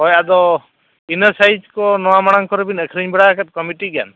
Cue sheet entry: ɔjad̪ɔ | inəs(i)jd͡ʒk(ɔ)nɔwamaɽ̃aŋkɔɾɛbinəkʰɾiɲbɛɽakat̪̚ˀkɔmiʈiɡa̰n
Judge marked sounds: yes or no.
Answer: no, yes

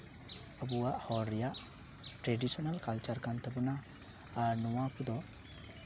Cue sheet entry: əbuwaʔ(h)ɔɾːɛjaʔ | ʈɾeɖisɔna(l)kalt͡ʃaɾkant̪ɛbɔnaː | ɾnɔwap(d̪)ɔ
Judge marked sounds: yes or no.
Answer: yes, yes, yes

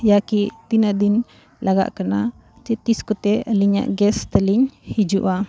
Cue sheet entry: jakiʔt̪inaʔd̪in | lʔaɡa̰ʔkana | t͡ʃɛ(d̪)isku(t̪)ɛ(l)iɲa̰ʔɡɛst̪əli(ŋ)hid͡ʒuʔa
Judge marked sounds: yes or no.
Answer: no, yes, yes, no

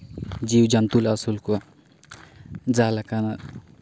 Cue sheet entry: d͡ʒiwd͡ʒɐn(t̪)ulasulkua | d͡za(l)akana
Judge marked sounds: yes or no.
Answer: yes, yes

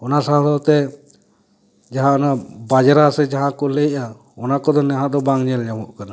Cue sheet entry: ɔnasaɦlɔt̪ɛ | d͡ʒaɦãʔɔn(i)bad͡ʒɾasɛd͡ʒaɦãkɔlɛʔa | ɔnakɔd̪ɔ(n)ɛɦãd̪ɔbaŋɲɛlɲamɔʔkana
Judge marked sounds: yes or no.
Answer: no, yes

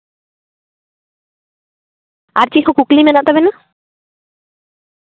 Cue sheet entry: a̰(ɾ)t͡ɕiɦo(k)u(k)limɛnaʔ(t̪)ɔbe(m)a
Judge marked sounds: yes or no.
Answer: yes, yes, yes, yes, no

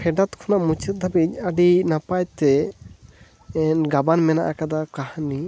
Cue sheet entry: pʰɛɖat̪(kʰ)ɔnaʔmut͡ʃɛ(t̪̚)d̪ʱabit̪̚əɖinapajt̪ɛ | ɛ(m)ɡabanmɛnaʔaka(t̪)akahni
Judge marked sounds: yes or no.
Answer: yes, yes, no, no

